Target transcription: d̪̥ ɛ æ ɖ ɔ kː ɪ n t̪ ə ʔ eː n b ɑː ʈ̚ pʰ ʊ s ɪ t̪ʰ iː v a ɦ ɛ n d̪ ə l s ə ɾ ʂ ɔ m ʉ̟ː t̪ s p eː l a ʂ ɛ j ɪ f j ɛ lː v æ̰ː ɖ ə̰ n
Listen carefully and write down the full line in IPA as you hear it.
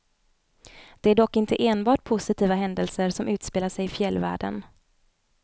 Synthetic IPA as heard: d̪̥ ɛ æ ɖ ɔ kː ɪ n t̪ ə ʔ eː n b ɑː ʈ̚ pʰ ʊ s ɪ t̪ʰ iː v a ɦ ɛ n d̪ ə l s ə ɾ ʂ ɔ m ʉ̟ː t̪ s p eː l a ʂ ɛ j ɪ f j ɛ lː v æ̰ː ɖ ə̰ n